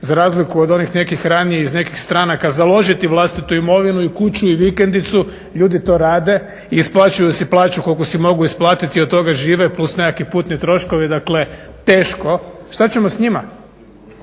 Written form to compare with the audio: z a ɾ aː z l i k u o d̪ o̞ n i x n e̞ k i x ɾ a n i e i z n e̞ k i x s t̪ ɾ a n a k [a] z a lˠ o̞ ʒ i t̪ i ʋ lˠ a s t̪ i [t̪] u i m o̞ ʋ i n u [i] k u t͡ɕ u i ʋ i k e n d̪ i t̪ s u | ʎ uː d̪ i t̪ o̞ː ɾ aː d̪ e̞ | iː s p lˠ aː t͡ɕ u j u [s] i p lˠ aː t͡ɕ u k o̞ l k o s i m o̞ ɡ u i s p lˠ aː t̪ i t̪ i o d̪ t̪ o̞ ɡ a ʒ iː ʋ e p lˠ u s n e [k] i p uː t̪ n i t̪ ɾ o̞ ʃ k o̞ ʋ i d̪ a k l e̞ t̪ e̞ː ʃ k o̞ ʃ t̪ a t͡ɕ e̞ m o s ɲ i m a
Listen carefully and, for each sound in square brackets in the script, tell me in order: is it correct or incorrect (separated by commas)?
correct, correct, correct, correct, correct